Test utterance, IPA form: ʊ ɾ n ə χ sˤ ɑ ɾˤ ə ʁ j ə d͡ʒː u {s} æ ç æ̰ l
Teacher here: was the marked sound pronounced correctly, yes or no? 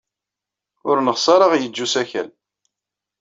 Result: yes